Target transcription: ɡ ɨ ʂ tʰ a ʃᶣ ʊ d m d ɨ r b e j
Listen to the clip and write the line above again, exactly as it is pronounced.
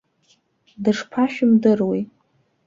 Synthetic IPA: d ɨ ʂ pʰ a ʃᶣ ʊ m d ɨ r w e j